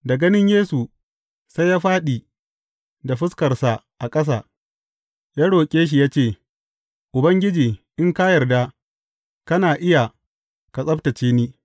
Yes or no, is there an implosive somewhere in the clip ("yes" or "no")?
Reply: yes